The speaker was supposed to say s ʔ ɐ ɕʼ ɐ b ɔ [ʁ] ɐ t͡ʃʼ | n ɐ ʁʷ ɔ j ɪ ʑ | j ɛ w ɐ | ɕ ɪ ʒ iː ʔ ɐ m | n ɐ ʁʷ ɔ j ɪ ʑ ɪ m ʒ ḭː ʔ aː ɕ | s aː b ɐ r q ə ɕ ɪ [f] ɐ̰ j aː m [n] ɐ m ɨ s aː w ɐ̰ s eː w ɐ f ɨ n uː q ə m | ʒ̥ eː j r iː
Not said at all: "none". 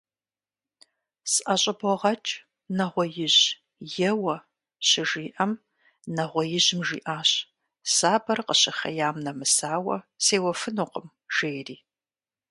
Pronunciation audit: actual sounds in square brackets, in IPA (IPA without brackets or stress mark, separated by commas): ʁ, χ, n